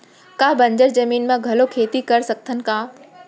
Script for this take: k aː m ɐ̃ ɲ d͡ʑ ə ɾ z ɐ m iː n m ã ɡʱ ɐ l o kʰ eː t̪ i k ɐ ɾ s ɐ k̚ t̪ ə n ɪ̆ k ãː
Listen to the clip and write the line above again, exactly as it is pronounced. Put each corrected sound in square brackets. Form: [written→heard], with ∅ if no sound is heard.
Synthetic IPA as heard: k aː [m→b] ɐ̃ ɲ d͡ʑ ə ɾ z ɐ m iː n m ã ɡʱ ɐ l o kʰ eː t̪ i k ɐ ɾ s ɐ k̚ [t̪→t̪ʰ] ə n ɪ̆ k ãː